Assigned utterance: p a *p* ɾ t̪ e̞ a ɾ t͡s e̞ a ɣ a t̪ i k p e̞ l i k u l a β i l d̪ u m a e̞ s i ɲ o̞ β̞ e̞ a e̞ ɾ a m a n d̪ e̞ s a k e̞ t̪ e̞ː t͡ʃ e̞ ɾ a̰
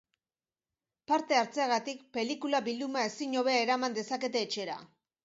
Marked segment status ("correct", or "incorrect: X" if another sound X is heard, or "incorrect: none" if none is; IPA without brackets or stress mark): incorrect: none